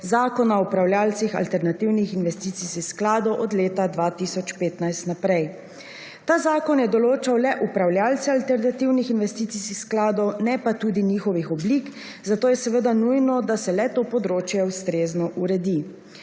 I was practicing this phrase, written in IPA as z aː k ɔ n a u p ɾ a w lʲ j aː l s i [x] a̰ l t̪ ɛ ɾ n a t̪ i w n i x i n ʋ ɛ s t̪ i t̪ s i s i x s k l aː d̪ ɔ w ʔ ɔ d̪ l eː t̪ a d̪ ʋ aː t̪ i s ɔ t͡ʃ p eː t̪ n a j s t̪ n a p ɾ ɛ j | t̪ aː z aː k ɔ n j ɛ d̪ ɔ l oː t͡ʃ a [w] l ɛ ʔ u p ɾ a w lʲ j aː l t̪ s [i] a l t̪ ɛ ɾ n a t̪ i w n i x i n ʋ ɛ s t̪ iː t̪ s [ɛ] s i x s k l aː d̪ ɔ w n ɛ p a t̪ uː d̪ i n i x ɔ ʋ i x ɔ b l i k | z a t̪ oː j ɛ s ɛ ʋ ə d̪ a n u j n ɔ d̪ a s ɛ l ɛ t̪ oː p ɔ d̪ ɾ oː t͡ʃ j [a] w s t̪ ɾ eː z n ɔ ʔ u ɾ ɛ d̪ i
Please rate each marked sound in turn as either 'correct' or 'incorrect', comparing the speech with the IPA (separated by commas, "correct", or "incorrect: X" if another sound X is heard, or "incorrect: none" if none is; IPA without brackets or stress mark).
correct, correct, incorrect: ɛ, incorrect: i, incorrect: ɛ